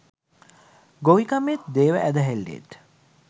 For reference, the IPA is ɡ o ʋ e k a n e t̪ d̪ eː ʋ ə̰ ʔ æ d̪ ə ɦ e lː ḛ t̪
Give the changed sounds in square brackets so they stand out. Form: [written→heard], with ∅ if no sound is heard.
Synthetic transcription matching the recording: ɡ o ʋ [e→i] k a [n→m] e t̪ d̪ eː ʋ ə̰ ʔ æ d̪ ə ɦ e lː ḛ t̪